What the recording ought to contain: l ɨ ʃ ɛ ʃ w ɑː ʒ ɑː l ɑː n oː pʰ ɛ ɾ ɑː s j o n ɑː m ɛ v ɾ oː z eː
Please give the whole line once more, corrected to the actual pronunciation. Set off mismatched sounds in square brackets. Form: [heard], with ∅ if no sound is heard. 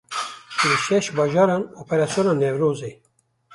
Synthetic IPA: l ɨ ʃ ɛ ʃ [b] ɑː ʒ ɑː [ɾ] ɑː n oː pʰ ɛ ɾ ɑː s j o n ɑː [n] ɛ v ɾ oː z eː